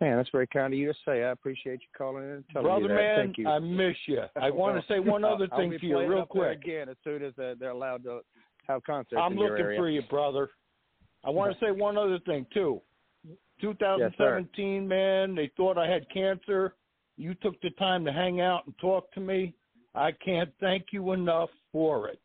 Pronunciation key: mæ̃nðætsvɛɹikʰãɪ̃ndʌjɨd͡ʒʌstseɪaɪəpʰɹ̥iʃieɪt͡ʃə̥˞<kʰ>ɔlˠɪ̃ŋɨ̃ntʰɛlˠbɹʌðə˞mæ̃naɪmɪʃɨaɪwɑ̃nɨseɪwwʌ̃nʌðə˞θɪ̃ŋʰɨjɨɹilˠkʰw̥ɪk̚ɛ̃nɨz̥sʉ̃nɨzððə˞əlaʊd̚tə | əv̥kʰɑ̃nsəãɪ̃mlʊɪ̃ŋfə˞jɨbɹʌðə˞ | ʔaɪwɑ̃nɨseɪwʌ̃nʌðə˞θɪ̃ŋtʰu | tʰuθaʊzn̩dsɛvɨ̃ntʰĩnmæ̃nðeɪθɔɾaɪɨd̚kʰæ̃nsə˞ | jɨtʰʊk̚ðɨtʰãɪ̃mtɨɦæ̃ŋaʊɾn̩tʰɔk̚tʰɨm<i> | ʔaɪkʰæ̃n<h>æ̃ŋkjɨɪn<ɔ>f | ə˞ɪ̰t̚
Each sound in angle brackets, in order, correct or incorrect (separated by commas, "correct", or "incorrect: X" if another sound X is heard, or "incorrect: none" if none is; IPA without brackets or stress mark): correct, correct, incorrect: θ, incorrect: ʌ